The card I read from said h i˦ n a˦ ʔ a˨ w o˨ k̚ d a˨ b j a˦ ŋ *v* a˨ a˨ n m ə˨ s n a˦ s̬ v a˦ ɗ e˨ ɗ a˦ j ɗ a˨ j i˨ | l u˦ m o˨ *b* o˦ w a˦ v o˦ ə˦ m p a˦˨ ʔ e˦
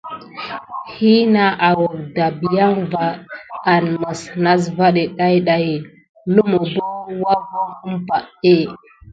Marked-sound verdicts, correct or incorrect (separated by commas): correct, correct